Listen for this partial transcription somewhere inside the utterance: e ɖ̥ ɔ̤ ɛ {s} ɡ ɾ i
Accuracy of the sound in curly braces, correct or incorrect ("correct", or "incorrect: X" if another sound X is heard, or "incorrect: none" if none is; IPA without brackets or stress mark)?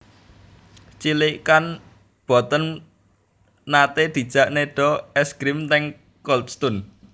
correct